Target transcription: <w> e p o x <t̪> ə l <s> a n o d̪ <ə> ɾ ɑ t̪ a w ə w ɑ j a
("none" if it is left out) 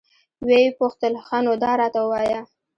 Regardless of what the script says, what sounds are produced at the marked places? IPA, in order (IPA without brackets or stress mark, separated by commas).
w, t̪, x, ɑ